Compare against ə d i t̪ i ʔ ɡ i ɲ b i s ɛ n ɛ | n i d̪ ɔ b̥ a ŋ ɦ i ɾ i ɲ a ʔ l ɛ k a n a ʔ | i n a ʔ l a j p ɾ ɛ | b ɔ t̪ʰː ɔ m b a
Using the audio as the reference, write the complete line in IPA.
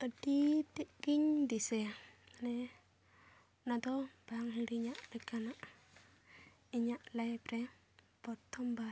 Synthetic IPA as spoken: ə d i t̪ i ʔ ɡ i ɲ d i s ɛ n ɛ | n a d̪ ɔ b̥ a ŋ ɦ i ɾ i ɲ a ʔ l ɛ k a n a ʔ | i ɲ a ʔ l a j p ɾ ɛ | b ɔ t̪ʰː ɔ m b a